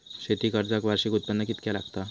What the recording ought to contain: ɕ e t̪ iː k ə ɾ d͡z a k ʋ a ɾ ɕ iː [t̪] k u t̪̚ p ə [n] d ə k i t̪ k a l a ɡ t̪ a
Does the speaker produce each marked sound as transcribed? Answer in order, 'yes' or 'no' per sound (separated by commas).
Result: no, yes